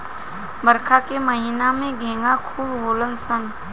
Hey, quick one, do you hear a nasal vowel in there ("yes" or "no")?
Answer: yes